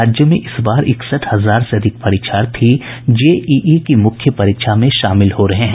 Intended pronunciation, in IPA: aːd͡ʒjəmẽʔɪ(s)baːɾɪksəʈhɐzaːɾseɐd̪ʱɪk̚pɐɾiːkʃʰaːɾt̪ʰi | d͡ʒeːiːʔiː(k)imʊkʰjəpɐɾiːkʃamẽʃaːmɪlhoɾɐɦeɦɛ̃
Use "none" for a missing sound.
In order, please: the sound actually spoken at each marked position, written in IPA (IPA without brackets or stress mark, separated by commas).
s, k